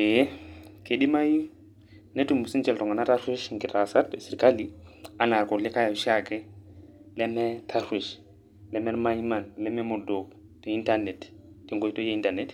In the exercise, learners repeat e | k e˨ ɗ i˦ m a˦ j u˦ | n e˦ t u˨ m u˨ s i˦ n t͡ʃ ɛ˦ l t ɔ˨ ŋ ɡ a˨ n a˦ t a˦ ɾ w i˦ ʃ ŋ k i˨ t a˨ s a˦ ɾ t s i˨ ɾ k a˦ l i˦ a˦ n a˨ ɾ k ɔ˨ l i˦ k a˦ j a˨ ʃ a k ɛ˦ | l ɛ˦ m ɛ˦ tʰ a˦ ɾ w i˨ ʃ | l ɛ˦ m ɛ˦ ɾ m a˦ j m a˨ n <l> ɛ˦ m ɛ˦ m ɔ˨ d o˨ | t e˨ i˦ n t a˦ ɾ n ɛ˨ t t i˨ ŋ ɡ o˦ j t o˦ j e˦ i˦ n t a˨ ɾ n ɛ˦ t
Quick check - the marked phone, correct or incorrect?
correct